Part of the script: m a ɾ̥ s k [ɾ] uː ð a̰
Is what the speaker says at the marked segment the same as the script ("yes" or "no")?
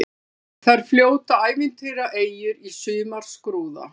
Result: yes